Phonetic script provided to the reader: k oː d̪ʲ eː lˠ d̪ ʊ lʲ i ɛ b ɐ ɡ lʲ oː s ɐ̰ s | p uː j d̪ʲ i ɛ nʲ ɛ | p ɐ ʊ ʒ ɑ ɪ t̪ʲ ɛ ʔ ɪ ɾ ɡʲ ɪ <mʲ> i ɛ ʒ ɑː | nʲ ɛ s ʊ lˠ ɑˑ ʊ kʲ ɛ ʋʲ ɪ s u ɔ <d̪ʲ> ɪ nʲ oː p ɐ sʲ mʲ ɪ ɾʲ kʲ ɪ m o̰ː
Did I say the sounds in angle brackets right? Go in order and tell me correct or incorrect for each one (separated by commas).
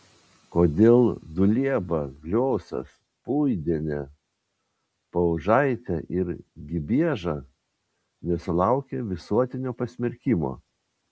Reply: incorrect, incorrect